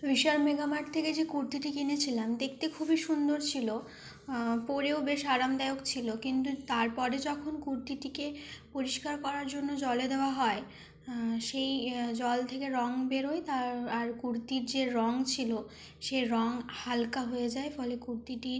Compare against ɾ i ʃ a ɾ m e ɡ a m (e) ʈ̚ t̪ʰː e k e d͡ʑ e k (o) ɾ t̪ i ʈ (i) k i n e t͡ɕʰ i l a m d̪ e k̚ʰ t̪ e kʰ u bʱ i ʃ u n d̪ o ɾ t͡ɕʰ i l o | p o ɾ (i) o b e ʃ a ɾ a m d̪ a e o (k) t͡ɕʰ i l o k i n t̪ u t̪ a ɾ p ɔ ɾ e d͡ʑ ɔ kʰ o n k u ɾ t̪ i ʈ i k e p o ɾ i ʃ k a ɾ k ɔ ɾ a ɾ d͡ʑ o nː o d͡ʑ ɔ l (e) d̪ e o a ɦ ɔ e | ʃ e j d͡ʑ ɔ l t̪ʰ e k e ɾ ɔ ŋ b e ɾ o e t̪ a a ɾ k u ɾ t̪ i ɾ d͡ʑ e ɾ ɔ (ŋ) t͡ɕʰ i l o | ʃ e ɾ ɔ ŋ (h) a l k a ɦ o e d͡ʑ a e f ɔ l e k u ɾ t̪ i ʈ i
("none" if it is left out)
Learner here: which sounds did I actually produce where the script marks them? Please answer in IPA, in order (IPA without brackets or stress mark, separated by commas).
a, u, i, e, k, e, ŋ, h